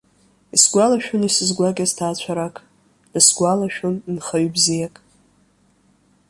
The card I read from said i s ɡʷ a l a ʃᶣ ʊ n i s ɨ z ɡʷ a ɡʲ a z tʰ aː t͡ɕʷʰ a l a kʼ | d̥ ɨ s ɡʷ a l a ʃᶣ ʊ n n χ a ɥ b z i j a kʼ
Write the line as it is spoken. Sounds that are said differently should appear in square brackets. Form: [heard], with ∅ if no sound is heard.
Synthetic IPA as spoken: i s ɡʷ a l a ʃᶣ ʊ n i s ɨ z ɡʷ a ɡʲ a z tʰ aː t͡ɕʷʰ a [ɾ] a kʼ | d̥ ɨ s ɡʷ a l a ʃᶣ ʊ n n χ a ɥ b z i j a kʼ